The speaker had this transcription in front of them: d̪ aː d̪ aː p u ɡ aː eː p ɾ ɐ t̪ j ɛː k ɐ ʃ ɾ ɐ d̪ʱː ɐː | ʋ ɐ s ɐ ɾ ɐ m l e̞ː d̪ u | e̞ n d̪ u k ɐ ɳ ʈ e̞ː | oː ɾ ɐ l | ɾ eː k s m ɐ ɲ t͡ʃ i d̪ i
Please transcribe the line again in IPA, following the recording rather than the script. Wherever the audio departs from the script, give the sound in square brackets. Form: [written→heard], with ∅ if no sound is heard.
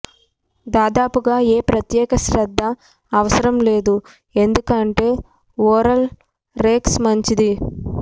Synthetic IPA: d̪ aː d̪ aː p u ɡ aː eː p ɾ ɐ t̪ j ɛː k ɐ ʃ ɾ ɐ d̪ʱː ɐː | ʋ ɐ s ɐ ɾ ɐ m l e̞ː d̪ u | e̞ n d̪ u k ɐ ɳ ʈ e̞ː | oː ɾ ɐ l | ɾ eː k s m ɐ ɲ t͡ʃ i d̪ i

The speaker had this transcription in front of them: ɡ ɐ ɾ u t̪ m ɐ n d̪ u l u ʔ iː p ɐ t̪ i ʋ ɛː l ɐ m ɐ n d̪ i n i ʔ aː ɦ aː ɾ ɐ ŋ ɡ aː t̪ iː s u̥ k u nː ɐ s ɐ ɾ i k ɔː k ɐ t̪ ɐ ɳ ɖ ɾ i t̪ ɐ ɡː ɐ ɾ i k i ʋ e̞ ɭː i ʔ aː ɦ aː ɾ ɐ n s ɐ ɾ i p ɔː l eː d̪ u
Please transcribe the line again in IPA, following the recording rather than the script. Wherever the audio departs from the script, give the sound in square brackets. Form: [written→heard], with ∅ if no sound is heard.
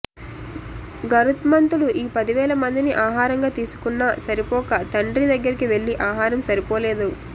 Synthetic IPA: ɡ ɐ ɾ u t̪ m ɐ n [d̪→t̪] u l u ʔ iː p ɐ [t̪→d̪] i ʋ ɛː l ɐ m ɐ n d̪ i n i ʔ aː ɦ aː ɾ ɐ ŋ ɡ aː t̪ iː s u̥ k u nː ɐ s ɐ ɾ i [k→p] ɔː k ɐ t̪ ɐ ɳ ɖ ɾ i [t̪→d̪] ɐ ɡː ɐ ɾ i k i ʋ e̞ ɭː i ʔ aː ɦ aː ɾ ɐ [n→m] s ɐ ɾ i p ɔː l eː d̪ u

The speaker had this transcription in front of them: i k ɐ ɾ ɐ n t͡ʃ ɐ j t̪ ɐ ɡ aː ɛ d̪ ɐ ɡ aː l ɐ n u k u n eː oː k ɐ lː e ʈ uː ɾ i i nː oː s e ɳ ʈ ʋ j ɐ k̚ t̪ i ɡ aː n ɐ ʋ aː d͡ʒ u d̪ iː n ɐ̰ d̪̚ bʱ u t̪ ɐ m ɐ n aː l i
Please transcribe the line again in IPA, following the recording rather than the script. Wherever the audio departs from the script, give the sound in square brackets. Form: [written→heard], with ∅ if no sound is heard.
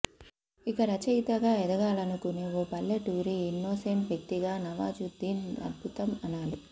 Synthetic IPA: i k ɐ ɾ ɐ [n→∅] t͡ʃ ɐ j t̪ ɐ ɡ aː ɛ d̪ ɐ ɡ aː l ɐ n u k u n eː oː [k→p] ɐ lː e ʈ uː ɾ i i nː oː s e ɳ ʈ ʋ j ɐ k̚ t̪ i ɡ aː n ɐ ʋ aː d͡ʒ u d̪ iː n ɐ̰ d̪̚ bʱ u t̪ ɐ m ɐ n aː l i

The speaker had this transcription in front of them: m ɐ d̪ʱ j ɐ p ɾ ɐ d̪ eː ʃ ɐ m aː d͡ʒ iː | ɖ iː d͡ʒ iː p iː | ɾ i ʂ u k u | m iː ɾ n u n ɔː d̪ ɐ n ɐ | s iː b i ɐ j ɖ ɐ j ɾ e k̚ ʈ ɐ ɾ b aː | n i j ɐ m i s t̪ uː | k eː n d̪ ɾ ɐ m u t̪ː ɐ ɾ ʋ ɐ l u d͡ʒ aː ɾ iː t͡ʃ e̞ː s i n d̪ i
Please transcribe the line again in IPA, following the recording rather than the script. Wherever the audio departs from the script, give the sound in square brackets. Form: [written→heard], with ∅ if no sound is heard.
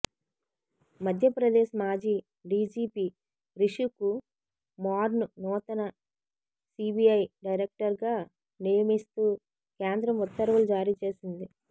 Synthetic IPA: m ɐ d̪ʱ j ɐ p ɾ ɐ d̪ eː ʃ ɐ m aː d͡ʒ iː | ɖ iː d͡ʒ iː p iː | ɾ i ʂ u k u | m [iː→aː] ɾ n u n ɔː [d̪→t̪] ɐ n ɐ | s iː b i ɐ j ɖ ɐ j ɾ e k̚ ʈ ɐ ɾ [b→ɡ] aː | n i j ɐ m i s t̪ uː | k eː n d̪ ɾ ɐ m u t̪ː ɐ ɾ ʋ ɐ l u d͡ʒ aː ɾ iː t͡ʃ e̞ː s i n d̪ i

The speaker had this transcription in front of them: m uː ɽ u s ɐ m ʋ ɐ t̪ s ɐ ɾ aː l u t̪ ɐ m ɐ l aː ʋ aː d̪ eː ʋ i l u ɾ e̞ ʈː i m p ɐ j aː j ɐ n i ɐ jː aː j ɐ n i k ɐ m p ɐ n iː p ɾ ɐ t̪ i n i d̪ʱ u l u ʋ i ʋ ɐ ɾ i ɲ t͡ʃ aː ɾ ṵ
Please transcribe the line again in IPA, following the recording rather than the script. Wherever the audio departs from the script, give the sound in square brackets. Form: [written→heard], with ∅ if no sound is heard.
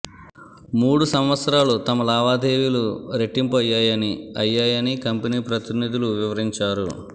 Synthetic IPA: m uː ɽ u s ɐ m ʋ ɐ t̪ s ɐ ɾ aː l u t̪ ɐ m ɐ l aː ʋ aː d̪ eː ʋ i l u ɾ e̞ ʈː i m p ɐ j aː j ɐ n i ɐ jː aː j ɐ n i k ɐ m p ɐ n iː p ɾ ɐ t̪ i n i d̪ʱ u l u ʋ i ʋ ɐ ɾ i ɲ t͡ʃ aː ɾ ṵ

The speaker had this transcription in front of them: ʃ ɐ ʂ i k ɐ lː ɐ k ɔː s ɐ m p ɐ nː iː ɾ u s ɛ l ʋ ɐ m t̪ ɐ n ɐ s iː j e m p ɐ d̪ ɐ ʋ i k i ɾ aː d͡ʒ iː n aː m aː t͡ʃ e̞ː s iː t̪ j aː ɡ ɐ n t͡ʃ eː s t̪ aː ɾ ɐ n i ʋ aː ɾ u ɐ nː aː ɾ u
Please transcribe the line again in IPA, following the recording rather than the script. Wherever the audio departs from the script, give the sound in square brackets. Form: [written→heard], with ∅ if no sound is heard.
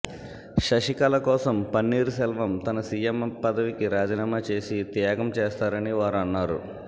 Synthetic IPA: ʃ ɐ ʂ i k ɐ [lː→l] ɐ k ɔː s ɐ m p ɐ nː iː ɾ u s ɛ l ʋ ɐ m t̪ ɐ n ɐ s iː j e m p ɐ d̪ ɐ ʋ i k i ɾ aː d͡ʒ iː n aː m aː t͡ʃ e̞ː s [iː→i] t̪ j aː ɡ ɐ [n→m] t͡ʃ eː s t̪ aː ɾ ɐ n i ʋ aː ɾ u ɐ nː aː ɾ u

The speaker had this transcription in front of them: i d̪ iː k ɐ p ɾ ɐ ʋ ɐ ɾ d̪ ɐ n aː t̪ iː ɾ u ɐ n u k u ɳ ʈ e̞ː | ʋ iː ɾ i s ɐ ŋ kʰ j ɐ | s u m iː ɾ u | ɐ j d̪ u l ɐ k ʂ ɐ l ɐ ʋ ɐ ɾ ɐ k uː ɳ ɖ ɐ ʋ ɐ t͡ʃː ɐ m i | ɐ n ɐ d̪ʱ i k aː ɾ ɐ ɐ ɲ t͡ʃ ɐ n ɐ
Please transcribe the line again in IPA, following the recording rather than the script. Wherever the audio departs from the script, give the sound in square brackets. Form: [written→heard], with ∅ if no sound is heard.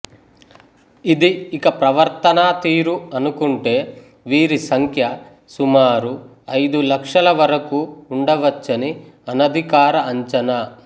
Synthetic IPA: i d̪ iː k ɐ p ɾ ɐ ʋ ɐ ɾ [d̪→t̪] ɐ n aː t̪ iː ɾ u ɐ n u k u ɳ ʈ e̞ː | ʋ iː ɾ i s ɐ ŋ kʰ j ɐ | s u m [iː→aː] ɾ u | ɐ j d̪ u l ɐ k ʂ ɐ l ɐ ʋ ɐ ɾ ɐ k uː ɳ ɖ ɐ ʋ ɐ t͡ʃː ɐ [m→n] i | ɐ n ɐ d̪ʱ i k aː ɾ ɐ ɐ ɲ t͡ʃ ɐ n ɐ

